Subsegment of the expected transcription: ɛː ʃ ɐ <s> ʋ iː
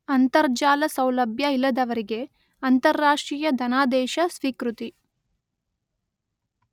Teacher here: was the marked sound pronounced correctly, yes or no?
yes